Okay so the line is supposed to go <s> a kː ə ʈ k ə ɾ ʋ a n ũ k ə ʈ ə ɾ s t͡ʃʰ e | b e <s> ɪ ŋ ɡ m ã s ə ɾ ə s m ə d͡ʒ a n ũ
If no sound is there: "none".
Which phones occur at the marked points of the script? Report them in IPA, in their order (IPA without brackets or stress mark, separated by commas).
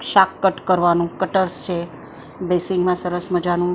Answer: ʃ, s